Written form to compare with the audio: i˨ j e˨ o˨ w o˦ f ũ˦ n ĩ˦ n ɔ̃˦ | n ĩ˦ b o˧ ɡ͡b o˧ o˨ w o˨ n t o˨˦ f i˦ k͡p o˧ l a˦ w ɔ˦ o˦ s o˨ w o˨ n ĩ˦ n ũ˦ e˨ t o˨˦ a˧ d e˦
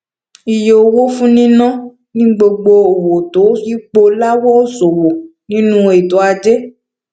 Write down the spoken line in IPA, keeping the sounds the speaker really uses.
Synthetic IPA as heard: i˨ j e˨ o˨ w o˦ f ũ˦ n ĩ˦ n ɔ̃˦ | n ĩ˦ ɡ͡b o˧ ɡ͡b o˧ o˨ w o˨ t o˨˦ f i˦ k͡p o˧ l a˦ w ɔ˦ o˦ s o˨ w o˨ n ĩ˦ n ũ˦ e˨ t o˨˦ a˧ d͡ʒ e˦